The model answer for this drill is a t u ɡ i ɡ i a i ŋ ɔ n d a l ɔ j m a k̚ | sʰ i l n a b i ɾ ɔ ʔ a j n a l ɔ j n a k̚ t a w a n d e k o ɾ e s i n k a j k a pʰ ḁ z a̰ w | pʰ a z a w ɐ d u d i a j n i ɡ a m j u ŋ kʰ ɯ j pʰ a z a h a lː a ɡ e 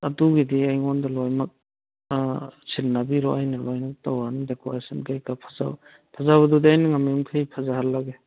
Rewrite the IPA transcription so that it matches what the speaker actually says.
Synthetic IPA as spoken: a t u ɡ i d i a j ŋ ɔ n d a l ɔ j m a k̚ | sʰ i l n a b i ɾ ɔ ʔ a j n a l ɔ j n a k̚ t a w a n d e k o ɾ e s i n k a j k a pʰ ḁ z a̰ w | pʰ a z a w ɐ d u d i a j n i ŋ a m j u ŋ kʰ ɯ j pʰ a z a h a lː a ɡ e

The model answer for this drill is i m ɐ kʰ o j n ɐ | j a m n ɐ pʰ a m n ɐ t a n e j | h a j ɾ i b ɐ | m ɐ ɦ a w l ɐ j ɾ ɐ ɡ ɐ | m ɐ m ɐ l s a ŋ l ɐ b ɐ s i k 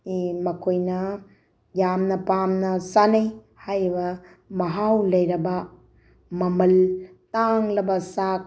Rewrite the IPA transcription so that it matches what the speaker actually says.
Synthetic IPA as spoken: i m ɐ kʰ o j n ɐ | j a m n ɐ p a m n ɐ s a n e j | h a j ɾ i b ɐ | m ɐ ɦ a w l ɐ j ɾ ɐ b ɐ | m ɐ m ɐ l t a ŋ l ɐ b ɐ s a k

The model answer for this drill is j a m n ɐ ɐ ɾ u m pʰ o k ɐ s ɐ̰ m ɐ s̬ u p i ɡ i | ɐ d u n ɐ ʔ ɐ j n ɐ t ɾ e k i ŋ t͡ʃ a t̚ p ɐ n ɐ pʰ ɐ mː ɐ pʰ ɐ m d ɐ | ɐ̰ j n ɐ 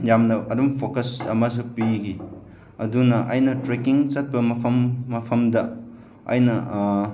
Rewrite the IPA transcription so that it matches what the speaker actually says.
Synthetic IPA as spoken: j a m n ɐ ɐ ɾ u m pʰ o k ɐ s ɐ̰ m ɐ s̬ u p i ɡ i | ɐ d u n ɐ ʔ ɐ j n ɐ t ɾ e k i ŋ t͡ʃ ɐ t̚ p ɐ m ɐ pʰ ɐ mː ɐ pʰ ɐ m d ɐ | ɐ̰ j n ɐ

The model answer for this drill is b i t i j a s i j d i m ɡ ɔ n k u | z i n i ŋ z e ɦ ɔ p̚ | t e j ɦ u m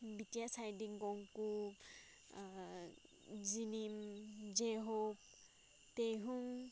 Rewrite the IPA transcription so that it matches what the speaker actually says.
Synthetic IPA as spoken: b i t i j a s a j d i ŋ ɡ ɔ ŋ k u | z i n i m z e ɦ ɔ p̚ | t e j ɦ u ŋ

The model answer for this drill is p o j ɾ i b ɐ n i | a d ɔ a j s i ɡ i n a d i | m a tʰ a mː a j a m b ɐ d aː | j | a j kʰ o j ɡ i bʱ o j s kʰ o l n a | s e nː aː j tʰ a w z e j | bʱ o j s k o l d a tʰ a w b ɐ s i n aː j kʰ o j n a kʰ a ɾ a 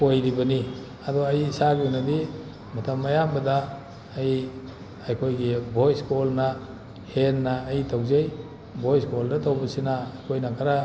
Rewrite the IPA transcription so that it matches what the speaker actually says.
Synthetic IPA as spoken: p o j ɾ i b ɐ n i | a d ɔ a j s a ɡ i n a d i | m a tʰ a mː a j a m b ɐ d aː | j | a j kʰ o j ɡ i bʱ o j s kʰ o l n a | h e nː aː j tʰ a w z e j | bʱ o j s k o l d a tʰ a w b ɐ s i n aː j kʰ o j n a kʰ a ɾ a

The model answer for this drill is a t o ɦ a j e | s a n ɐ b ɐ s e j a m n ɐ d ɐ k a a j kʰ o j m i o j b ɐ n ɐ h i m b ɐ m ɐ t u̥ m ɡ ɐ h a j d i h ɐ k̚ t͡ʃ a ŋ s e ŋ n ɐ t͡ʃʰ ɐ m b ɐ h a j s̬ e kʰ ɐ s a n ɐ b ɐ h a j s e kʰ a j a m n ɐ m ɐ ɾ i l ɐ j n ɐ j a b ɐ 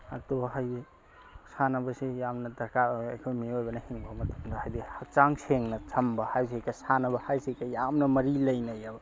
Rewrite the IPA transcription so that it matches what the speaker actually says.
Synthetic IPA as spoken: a t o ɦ a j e | s a n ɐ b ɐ s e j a m n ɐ d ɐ k a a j kʰ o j m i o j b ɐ n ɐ h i ŋ b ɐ m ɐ t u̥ m d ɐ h a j d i h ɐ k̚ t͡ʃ a ŋ s e ŋ n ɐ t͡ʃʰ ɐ m b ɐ h a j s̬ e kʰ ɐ s a n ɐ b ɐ h a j s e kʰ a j a m n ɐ m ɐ ɾ i l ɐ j n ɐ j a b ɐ

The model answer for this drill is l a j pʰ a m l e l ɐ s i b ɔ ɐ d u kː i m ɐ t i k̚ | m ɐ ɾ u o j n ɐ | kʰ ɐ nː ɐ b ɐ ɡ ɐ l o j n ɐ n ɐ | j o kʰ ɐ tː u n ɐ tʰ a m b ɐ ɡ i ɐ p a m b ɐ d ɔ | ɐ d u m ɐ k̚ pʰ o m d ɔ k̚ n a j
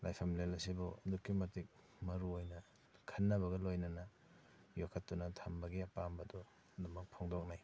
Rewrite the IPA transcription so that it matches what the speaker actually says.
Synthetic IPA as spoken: l a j pʰ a m l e l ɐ s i b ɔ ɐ d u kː i m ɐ t i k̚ | m ɐ ɾ u o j n ɐ | kʰ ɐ nː ɐ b ɐ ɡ ɐ l o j n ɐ n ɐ | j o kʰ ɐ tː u n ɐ tʰ a m b ɐ ɡ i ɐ p a m b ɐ d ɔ | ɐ d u m ɐ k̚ pʰ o ŋ d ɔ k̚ n a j

